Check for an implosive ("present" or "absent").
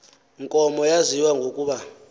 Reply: present